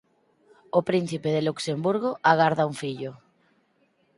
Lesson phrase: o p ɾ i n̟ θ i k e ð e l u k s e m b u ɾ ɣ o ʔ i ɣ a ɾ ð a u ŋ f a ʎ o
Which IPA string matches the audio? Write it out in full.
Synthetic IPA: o p ɾ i n̟ θ i p e ð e l u k s e m b u ɾ ɣ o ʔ a ɣ a ɾ ð a u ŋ f i ʎ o